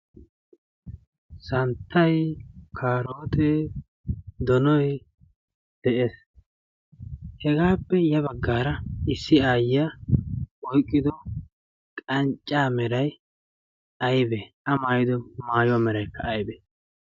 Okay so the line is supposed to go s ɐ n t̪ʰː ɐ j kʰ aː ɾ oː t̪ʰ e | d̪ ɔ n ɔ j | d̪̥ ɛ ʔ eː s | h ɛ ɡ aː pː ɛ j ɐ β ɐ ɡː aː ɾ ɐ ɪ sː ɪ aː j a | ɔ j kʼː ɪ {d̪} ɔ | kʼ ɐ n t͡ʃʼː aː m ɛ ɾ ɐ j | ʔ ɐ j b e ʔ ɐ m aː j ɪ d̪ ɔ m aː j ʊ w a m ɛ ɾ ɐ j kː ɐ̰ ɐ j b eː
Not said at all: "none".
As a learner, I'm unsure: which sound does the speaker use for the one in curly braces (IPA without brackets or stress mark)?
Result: d̪